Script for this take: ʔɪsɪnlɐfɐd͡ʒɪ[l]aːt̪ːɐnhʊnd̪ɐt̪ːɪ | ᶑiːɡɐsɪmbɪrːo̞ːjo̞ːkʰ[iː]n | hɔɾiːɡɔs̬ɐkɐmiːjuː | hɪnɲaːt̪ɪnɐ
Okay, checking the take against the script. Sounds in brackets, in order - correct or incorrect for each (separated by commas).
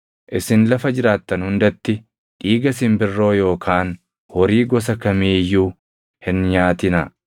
incorrect, incorrect